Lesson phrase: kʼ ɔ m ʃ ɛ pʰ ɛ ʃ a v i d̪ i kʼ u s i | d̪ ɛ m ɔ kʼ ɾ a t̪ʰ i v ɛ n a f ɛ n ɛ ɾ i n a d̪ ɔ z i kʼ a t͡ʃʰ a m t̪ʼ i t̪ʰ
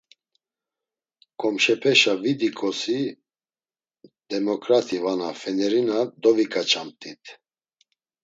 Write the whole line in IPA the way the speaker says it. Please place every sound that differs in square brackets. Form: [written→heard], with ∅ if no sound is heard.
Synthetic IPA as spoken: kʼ ɔ m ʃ ɛ pʰ ɛ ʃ a v i d̪ i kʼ [u→ɔ] s i | d̪ ɛ m ɔ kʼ ɾ a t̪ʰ i v [ɛ→a] n a f ɛ n ɛ ɾ i n a d̪ ɔ [z→v] i kʼ a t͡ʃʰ a m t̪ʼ i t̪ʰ